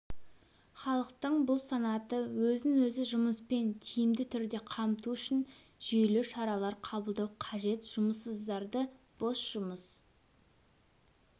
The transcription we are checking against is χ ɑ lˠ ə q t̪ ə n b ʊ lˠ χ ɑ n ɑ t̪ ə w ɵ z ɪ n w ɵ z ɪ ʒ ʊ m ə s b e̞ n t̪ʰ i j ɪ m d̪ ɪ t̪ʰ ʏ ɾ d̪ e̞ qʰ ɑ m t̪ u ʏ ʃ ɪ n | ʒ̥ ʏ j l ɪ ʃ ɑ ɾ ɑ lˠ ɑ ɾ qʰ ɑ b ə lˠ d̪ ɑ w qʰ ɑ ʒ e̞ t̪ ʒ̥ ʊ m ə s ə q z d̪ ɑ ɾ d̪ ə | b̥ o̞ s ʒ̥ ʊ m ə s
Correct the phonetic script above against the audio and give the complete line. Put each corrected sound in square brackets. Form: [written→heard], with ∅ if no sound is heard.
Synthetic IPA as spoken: χ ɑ lˠ ə q t̪ ə [n→ɴ] b ʊ lˠ [χ→s] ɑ n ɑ t̪ ə w ɵ z ɪ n w ɵ z ɪ ʒ ʊ m ə s [b→p] e̞ n t̪ʰ i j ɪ m d̪ ɪ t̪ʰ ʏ ɾ d̪ e̞ qʰ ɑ m t̪ u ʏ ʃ ɪ n | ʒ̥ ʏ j l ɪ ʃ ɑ ɾ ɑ lˠ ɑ ɾ qʰ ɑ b ə lˠ d̪ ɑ w qʰ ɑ ʒ e̞ t̪ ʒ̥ ʊ m ə s ə [q→∅] z d̪ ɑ ɾ d̪ ə | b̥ o̞ s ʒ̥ ʊ m ə s